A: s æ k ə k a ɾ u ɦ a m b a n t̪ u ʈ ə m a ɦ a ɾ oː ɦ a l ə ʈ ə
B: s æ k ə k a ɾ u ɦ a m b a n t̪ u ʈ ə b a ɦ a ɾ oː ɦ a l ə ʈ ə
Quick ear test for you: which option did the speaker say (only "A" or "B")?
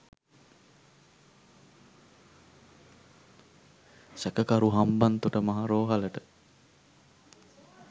A